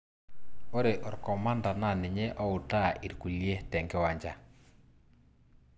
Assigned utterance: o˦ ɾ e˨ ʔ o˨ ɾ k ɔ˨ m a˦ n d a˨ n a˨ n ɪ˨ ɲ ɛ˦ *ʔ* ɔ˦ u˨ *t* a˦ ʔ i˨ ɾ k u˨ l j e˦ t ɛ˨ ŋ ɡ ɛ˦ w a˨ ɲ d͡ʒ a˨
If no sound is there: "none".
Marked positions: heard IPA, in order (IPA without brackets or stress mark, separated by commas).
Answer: ʔ, t